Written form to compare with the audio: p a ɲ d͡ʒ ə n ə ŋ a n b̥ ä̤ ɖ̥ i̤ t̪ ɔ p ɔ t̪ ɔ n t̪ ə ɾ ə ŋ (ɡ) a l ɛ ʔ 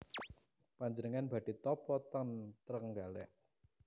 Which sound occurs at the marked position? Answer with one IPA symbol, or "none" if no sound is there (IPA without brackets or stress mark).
ɡ